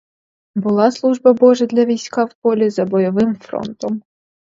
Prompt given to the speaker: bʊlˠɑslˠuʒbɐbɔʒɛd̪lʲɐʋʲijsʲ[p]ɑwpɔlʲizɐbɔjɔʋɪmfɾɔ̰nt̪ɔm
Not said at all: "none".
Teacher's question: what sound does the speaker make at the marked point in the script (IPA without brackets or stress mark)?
k